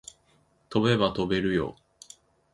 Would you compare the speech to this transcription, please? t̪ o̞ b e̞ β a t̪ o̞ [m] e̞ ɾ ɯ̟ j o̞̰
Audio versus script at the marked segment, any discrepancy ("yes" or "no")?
yes